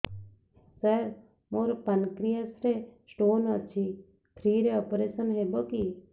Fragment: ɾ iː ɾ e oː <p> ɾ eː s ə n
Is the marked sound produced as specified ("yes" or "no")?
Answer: yes